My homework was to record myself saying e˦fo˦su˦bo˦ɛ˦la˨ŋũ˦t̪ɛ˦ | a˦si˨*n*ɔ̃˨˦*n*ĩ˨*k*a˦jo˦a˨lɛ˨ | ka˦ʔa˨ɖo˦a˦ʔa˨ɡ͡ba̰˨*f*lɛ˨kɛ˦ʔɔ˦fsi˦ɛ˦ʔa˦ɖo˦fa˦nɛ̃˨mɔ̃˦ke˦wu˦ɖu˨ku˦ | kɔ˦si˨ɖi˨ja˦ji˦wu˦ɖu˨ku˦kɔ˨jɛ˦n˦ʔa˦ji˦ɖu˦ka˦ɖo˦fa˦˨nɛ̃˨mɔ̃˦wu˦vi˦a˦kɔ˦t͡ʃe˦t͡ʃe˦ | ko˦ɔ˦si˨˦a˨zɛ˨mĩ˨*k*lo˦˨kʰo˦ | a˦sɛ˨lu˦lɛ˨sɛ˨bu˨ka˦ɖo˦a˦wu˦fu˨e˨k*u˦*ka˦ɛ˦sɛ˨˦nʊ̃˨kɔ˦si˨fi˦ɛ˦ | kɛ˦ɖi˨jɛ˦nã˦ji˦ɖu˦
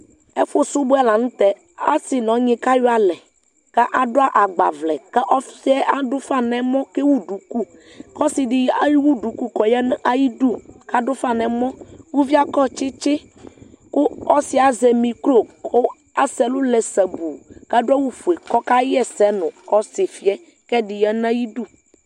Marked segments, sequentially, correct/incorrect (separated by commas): correct, incorrect, correct, incorrect, correct, incorrect